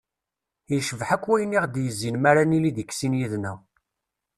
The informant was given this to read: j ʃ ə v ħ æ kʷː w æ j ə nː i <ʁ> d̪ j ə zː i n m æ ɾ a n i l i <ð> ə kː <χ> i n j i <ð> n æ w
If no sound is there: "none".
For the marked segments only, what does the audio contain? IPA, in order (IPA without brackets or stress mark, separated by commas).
ʁ, ð, s, ð